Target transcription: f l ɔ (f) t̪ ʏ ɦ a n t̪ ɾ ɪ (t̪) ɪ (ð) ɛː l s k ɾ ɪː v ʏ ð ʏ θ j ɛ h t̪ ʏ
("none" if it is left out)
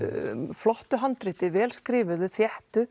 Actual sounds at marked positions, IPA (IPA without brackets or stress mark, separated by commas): h, t̪, v